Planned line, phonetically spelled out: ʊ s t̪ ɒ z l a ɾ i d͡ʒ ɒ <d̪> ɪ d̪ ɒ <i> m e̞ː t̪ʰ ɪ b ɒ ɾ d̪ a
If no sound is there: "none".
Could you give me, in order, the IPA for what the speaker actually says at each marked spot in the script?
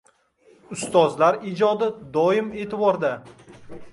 d̪, ɪ

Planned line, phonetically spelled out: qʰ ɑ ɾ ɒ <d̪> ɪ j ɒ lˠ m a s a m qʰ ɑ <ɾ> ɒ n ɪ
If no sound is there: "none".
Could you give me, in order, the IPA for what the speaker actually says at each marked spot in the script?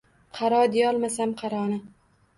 d̪, ɾ

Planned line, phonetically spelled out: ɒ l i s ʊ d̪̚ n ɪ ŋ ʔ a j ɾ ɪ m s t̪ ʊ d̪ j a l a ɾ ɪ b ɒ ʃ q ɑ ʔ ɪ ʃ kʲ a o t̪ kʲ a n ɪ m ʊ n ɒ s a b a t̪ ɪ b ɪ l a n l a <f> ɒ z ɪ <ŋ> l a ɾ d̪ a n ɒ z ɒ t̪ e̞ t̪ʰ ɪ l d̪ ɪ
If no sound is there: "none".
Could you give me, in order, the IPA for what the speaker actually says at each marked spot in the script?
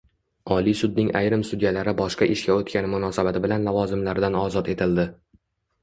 v, m

